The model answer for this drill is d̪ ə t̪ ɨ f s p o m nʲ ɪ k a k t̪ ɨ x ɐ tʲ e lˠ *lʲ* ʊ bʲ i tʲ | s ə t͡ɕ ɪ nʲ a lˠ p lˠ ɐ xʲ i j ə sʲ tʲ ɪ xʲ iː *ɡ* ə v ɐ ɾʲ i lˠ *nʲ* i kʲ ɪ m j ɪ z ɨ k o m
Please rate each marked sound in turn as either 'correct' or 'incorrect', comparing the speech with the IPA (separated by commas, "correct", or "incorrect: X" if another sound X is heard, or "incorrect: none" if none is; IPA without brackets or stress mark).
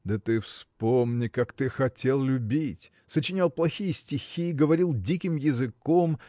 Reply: correct, correct, incorrect: dʲ